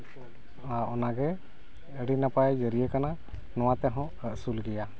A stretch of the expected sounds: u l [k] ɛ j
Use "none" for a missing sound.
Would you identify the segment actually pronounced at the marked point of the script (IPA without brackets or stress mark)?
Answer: ɡ